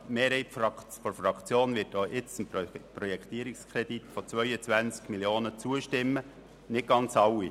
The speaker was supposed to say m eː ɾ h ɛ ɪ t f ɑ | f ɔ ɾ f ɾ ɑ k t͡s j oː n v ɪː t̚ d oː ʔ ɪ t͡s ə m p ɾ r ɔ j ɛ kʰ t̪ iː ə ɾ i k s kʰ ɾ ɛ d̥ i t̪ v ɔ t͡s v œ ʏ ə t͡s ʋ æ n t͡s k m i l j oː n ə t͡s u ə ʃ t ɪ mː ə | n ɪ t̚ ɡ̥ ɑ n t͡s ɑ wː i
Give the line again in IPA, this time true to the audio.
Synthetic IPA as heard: m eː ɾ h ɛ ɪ t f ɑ | f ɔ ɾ f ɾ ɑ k t͡s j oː n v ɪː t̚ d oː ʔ ɪ t͡s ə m p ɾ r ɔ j ɛ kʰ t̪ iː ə ɾ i k s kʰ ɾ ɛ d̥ i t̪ f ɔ t͡s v œ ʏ ə t͡s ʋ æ n t͡s k m i l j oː n ə t͡s u ə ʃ t ɪ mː ə | n ɪ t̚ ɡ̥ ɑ n t͡s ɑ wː i